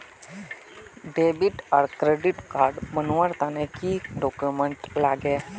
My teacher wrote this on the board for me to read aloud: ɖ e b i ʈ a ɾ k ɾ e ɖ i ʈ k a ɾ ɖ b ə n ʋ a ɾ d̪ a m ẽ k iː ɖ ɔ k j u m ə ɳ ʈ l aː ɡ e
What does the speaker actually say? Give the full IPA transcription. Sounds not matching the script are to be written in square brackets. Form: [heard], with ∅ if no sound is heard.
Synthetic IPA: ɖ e b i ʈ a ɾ k ɾ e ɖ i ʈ k a ɾ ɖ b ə n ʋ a ɾ [t̪] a [n] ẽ k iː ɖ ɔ k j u m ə ɳ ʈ l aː ɡ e